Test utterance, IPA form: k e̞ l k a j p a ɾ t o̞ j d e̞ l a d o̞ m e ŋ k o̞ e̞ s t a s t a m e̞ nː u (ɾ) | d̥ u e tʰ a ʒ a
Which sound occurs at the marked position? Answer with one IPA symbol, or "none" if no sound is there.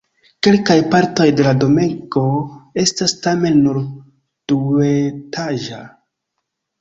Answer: ɾ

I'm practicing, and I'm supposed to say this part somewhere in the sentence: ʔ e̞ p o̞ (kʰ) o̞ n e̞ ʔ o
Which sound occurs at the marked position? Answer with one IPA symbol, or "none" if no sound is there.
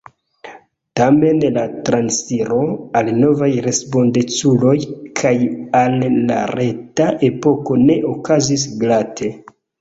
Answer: k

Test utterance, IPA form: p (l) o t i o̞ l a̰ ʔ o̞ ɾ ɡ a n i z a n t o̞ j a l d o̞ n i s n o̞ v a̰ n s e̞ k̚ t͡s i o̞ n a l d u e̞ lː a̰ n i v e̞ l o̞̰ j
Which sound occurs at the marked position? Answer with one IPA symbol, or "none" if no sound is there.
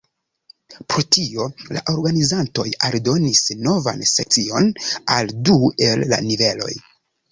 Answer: ɾ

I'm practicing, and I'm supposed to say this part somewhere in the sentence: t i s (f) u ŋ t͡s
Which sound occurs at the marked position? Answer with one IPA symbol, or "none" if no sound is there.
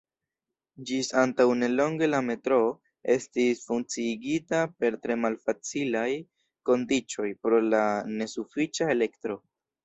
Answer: f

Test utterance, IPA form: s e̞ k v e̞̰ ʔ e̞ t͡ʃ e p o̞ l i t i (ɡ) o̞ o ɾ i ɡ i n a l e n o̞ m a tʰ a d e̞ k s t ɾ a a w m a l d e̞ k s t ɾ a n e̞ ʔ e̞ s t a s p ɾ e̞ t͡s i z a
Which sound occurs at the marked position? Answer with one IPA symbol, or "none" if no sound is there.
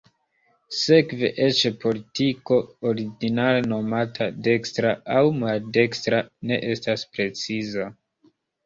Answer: k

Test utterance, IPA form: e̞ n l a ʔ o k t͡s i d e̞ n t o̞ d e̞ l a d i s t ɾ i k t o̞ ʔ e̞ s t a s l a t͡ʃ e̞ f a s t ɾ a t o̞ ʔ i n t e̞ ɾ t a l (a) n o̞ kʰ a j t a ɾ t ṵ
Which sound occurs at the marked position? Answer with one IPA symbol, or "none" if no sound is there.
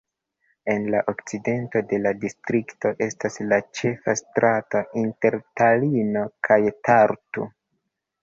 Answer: i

